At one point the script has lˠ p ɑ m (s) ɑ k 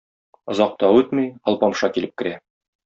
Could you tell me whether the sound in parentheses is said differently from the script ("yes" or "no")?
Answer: yes